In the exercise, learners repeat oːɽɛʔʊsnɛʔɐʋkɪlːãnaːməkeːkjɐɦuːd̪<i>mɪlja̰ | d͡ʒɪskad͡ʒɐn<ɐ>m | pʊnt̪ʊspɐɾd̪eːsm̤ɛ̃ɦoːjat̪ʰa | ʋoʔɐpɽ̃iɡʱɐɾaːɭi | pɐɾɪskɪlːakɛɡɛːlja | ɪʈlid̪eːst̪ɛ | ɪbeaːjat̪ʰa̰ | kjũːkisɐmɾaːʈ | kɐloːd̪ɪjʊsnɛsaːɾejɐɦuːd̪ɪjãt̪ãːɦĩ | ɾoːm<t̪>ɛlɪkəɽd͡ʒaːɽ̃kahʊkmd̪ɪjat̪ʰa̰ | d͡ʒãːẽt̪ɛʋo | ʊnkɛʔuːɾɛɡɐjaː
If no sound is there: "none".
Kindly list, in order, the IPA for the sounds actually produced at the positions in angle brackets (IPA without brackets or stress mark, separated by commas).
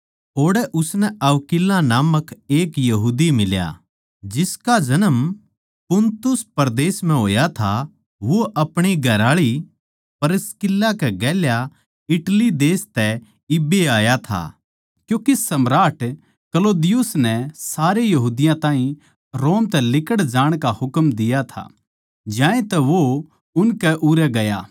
i, ə, t̪